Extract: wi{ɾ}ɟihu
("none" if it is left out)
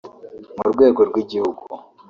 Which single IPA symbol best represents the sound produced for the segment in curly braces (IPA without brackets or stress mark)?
none